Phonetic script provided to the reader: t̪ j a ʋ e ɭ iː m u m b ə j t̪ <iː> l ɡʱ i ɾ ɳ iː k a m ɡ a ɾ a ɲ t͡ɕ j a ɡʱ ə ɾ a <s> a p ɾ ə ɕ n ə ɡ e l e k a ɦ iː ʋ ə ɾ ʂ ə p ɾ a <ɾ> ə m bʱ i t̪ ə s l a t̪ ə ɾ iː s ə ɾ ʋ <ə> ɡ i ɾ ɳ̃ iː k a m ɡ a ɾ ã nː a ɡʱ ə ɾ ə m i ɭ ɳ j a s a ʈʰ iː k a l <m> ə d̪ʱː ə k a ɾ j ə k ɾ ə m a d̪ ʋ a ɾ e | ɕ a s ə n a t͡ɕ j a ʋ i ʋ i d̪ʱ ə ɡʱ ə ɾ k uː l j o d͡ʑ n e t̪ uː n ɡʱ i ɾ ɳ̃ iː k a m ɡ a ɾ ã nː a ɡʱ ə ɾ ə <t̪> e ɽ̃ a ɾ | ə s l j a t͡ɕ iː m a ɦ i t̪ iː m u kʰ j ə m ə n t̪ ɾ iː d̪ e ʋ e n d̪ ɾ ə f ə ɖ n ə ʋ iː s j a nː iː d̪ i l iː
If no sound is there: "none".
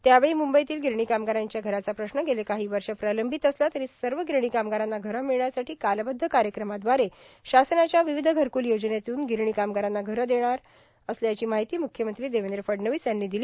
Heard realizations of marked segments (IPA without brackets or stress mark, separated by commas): iː, t͡s, l, ə, b, d̪